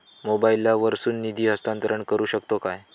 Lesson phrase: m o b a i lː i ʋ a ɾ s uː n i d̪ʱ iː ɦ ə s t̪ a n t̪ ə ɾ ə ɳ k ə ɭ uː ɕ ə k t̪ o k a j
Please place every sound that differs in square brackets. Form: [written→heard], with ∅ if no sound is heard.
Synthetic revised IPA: m o b a i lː [i→a] ʋ [a→ə] ɾ s uː [n→nː] i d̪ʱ iː ɦ ə s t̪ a n t̪ ə ɾ ə ɳ k ə [ɭ→ɾ] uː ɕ ə k t̪ o k a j